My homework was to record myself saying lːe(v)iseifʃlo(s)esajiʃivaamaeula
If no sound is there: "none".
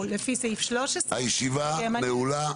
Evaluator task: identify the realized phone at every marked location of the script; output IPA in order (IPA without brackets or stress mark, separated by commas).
f, ʃ